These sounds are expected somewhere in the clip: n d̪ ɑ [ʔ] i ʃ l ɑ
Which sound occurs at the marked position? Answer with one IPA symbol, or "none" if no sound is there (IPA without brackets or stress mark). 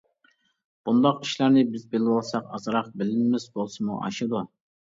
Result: q